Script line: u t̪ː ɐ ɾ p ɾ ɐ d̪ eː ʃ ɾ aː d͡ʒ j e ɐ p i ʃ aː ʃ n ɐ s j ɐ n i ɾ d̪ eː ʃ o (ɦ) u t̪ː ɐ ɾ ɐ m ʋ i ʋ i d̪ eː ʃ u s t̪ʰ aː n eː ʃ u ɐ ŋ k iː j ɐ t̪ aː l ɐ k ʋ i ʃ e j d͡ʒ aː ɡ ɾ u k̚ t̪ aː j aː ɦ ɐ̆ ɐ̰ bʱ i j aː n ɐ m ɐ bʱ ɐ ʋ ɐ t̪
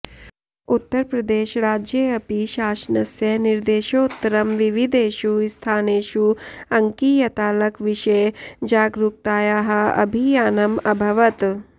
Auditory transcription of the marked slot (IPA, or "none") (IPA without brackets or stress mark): none